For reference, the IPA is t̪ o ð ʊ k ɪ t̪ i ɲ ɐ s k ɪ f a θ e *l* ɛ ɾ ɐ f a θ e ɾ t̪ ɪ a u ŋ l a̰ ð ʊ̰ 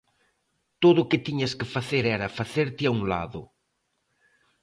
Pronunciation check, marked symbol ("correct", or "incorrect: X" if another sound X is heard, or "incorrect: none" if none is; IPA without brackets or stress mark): incorrect: ɾ